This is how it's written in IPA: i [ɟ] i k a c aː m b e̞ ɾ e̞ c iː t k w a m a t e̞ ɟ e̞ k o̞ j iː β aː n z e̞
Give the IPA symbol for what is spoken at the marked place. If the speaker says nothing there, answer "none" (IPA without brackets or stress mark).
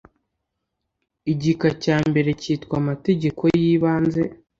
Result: ɟ